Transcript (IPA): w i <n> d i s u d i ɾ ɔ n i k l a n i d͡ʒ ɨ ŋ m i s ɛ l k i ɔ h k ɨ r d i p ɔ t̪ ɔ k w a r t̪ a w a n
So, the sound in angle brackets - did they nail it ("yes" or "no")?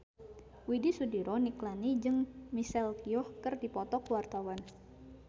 no